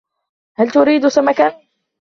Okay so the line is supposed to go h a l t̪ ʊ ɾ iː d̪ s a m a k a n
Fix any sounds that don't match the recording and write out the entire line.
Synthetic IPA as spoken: h a l t̪ ʊ ɾ iː d̪ s a m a k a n